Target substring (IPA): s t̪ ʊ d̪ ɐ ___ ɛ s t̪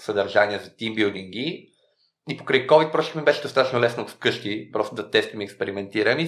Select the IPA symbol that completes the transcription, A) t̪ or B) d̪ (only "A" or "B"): A